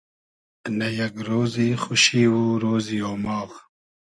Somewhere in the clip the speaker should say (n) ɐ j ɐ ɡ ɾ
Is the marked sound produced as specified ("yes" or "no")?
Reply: yes